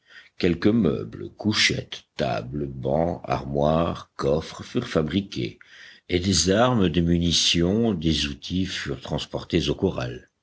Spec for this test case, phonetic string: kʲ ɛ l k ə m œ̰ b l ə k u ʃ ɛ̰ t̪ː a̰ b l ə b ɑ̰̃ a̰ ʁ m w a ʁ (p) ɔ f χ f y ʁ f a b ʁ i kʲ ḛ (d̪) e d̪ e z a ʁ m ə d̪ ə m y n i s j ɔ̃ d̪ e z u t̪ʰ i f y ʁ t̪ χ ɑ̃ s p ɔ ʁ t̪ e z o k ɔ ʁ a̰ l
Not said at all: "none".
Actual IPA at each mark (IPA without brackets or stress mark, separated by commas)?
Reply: k, none